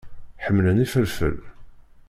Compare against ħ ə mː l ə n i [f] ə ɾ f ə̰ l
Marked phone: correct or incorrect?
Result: correct